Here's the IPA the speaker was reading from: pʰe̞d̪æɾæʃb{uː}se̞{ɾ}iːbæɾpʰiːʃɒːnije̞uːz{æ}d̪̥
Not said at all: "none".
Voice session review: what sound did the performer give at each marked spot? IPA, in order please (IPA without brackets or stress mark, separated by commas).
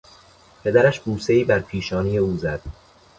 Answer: uː, none, æ